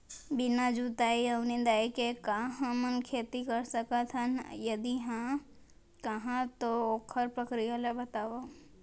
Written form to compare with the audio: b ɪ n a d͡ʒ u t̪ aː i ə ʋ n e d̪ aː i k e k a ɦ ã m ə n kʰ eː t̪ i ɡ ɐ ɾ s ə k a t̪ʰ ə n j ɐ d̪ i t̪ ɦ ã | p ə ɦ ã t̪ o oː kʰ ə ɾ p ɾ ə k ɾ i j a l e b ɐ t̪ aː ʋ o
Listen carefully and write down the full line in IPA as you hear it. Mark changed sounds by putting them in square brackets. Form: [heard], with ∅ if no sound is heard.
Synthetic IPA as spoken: b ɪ n a d͡ʒ u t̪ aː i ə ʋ n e d̪ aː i k e k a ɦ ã m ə n kʰ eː t̪ i [k] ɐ ɾ s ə k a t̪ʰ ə n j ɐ d̪ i [∅] ɦ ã | [k] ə ɦ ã t̪ o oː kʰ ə ɾ p ɾ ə k ɾ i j a l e b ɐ t̪ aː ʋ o